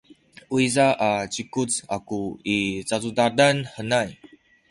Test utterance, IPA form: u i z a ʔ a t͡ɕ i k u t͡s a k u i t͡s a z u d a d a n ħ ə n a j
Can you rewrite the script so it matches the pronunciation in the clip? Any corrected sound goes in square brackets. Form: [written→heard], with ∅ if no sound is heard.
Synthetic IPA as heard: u i z a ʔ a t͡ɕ i k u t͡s a k u i t͡s a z u d a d a n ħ ə n a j